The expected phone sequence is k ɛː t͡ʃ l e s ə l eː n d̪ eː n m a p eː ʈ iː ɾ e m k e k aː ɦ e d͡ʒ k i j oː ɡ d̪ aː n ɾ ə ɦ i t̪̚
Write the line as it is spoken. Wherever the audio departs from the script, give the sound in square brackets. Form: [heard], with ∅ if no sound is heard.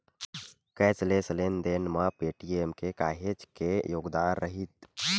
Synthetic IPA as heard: k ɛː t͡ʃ l e s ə l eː n d̪ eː n m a p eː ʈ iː [∅] e m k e k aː ɦ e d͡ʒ k [e] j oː ɡ d̪ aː n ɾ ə ɦ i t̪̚